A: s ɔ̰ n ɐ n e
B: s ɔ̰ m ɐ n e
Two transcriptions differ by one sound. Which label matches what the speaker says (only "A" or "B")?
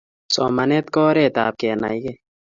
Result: B